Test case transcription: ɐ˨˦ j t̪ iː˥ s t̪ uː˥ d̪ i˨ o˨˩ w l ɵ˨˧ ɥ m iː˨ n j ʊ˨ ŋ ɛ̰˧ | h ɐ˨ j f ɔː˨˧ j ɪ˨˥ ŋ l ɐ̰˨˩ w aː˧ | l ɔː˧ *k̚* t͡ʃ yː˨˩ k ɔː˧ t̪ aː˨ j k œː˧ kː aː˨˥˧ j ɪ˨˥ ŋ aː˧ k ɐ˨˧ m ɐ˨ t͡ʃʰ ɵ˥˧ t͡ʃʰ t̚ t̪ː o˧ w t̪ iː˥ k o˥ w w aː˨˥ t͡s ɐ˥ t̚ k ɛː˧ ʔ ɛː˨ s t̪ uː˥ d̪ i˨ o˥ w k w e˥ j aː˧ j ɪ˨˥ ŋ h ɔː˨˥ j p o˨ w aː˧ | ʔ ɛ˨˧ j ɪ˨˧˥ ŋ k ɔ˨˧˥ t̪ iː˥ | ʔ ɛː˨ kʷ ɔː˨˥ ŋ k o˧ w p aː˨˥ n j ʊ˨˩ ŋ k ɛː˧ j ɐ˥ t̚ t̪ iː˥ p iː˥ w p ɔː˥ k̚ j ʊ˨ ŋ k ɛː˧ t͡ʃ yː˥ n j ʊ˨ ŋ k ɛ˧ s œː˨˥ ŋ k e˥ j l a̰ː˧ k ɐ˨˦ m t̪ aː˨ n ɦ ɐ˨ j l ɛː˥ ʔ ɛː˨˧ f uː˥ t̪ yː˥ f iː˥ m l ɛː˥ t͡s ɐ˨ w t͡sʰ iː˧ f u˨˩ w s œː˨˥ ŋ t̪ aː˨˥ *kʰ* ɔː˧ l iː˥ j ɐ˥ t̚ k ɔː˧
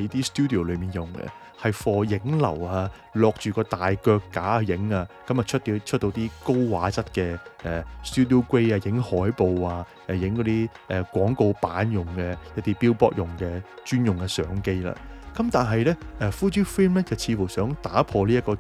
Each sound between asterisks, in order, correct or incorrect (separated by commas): correct, incorrect